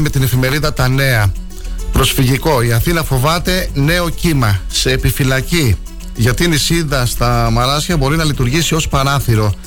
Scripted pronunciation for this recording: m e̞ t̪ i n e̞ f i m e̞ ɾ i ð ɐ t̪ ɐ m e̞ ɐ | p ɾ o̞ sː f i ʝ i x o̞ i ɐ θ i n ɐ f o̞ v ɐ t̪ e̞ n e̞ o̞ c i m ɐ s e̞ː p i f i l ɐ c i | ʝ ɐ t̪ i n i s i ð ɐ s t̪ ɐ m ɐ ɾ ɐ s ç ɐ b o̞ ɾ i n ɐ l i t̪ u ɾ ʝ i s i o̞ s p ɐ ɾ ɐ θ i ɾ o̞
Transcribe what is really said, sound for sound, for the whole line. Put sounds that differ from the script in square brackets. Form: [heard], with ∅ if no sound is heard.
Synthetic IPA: m e̞ t̪ i n e̞ f i m e̞ ɾ i ð ɐ t̪ ɐ [n] e̞ ɐ | p ɾ o̞ [s] f i ʝ i [k] o̞ i ɐ θ i n ɐ f o̞ v ɐ t̪ e̞ n e̞ o̞ c i m ɐ s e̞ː p i f i l ɐ c i | ʝ ɐ t̪ i n i s i ð ɐ s t̪ ɐ m ɐ ɾ ɐ s ç ɐ b o̞ ɾ i n ɐ l i t̪ u ɾ ʝ i s i o̞ s p ɐ ɾ ɐ θ i ɾ o̞